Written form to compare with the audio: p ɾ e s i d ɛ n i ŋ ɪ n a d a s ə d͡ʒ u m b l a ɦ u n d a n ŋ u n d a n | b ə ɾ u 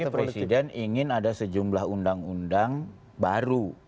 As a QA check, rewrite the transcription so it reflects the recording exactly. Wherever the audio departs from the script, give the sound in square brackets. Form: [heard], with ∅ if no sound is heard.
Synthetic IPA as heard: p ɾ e s i d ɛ n i ŋ ɪ n a d a s ə d͡ʒ u m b l a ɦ u n d a [∅] ŋ u n d a [ŋ] | b [a] ɾ u